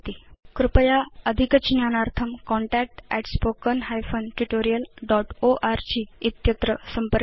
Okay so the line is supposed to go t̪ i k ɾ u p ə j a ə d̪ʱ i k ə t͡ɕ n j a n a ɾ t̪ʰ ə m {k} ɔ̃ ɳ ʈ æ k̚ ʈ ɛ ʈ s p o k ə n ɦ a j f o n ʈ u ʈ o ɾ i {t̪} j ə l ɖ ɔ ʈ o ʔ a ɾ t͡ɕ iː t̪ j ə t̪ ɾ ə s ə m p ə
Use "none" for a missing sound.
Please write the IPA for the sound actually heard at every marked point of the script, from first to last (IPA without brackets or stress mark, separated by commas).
k, none